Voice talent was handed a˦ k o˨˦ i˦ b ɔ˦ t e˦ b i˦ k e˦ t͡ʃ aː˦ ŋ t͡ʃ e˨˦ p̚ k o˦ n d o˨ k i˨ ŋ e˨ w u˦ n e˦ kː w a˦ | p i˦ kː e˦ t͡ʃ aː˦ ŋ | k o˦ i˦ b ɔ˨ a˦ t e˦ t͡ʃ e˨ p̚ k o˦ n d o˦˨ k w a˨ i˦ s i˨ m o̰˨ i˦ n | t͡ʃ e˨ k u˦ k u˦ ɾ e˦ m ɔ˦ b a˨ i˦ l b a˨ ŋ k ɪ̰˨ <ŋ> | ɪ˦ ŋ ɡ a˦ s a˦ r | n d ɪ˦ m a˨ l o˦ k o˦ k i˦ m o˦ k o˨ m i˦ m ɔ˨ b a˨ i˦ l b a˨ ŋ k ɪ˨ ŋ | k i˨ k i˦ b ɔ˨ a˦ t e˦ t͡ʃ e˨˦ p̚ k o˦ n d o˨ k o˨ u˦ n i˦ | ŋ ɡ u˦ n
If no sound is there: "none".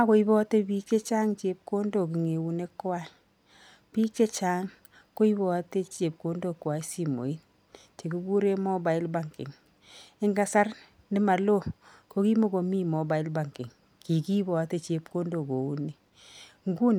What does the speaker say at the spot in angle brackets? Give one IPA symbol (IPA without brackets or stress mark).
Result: ŋ